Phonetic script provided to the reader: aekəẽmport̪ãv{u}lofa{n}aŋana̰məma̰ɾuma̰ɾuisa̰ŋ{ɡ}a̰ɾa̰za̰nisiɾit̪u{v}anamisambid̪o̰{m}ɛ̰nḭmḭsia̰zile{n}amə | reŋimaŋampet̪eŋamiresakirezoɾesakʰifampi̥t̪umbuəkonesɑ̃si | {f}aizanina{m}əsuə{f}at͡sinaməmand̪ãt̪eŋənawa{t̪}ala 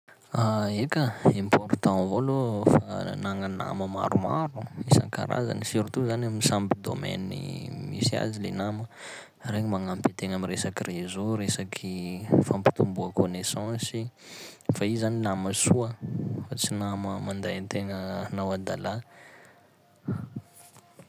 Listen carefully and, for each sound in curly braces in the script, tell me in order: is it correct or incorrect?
incorrect: o, correct, incorrect: k, incorrect: z, correct, correct, correct, correct, correct, incorrect: d̪

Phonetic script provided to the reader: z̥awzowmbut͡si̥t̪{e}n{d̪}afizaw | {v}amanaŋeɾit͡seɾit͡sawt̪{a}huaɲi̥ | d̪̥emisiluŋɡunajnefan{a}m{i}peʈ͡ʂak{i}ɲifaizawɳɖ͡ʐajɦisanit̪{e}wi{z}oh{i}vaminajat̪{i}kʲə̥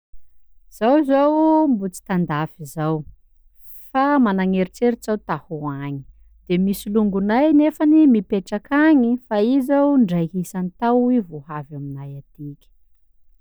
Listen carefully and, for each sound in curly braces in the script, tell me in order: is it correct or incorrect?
incorrect: a, correct, incorrect: f, correct, incorrect: i, correct, incorrect: a, incorrect: a, incorrect: v, incorrect: a, correct

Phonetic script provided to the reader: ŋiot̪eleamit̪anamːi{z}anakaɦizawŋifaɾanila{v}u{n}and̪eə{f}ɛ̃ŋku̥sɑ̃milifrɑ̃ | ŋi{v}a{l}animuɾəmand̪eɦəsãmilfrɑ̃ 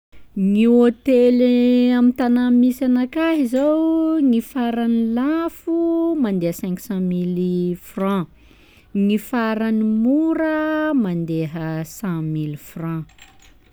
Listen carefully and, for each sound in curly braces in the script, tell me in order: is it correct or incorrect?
incorrect: s, incorrect: f, incorrect: m, incorrect: s, incorrect: f, incorrect: ɾ

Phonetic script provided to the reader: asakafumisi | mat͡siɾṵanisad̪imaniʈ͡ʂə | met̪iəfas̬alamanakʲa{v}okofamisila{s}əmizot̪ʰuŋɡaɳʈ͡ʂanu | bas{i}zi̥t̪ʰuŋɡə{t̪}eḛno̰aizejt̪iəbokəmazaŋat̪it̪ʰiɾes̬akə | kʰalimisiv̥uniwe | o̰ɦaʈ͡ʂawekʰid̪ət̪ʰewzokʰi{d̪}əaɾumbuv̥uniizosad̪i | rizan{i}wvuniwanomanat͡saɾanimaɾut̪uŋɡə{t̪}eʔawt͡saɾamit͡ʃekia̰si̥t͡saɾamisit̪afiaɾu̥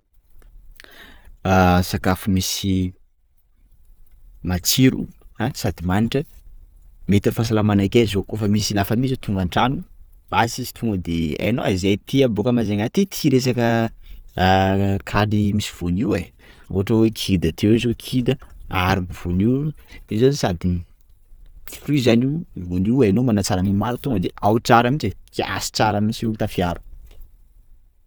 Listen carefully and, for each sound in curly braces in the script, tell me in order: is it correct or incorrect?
incorrect: z, incorrect: f, correct, incorrect: d̪, correct, correct, incorrect: d̪

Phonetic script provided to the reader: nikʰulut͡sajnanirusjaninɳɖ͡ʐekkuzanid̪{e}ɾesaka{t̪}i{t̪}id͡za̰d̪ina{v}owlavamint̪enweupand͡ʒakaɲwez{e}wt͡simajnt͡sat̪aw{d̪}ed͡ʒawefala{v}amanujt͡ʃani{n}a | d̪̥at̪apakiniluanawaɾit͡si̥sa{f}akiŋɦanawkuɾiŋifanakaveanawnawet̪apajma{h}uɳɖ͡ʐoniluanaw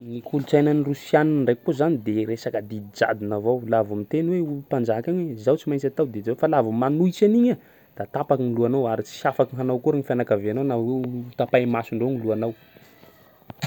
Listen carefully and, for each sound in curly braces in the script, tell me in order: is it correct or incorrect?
correct, incorrect: d̪, incorrect: d̪, correct, incorrect: a, correct, correct, incorrect: ɲ, correct, incorrect: s

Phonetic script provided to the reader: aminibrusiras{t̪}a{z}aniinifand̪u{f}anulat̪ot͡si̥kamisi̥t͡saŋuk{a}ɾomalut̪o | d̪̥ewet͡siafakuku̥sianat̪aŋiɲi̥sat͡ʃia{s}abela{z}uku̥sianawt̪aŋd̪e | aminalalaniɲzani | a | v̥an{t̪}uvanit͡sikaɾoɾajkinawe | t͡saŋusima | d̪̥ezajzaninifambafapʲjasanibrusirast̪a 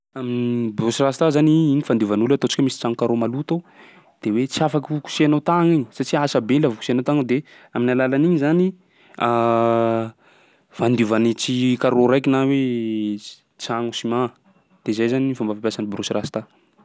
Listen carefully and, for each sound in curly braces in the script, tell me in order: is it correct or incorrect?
correct, correct, incorrect: v, correct, correct, incorrect: v, incorrect: d̪

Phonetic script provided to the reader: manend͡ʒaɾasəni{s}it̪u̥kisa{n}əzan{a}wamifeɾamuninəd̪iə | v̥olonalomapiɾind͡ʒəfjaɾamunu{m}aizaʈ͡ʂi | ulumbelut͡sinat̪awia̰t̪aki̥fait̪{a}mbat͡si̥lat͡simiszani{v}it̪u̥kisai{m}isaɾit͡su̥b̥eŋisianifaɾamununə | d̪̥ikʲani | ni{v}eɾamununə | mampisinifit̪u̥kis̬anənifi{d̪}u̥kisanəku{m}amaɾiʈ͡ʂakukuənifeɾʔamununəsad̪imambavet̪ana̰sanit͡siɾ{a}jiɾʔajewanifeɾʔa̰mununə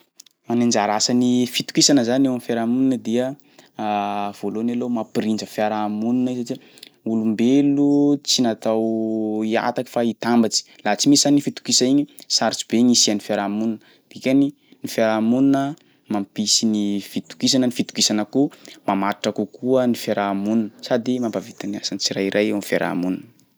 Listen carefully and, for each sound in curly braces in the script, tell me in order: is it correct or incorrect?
incorrect: f, correct, incorrect: e, incorrect: n, correct, incorrect: f, incorrect: ɲ, incorrect: f, incorrect: t̪, correct, correct

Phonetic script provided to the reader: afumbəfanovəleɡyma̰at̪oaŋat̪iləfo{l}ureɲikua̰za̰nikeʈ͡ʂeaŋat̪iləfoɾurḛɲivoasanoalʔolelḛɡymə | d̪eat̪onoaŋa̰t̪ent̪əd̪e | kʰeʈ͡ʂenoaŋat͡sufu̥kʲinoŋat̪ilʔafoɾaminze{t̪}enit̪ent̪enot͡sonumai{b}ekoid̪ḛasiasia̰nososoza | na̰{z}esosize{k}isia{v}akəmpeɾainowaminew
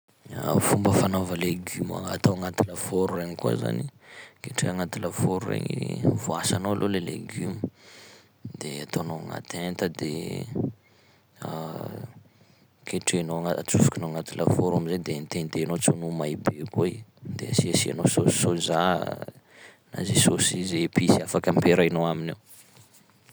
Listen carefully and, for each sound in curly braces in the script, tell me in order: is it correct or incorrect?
incorrect: ɾ, incorrect: d̪, correct, correct, incorrect: p, incorrect: f

